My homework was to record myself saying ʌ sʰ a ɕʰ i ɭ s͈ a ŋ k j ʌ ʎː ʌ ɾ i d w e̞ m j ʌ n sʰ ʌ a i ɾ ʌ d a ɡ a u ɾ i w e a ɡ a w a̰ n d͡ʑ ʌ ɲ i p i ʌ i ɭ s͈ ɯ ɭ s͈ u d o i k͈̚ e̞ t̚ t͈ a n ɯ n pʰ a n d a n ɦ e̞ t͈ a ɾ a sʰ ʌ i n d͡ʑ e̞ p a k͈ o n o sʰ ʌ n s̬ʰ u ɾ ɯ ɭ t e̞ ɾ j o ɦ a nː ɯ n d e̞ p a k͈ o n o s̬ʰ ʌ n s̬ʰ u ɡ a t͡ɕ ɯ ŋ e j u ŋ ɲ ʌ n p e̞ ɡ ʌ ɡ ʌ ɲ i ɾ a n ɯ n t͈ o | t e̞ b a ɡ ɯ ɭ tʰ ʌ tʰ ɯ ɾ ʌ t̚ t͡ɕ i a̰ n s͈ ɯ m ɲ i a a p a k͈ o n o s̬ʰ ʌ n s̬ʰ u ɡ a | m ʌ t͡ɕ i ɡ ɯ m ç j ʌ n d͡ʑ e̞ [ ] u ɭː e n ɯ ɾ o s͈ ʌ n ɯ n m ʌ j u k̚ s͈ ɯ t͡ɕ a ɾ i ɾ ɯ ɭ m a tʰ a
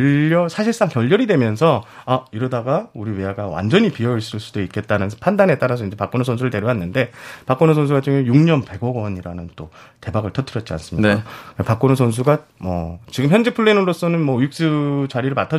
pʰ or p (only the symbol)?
pʰ